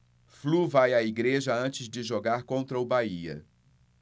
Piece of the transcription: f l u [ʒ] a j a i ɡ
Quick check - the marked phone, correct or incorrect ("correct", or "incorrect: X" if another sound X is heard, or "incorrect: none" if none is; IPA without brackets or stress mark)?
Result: incorrect: v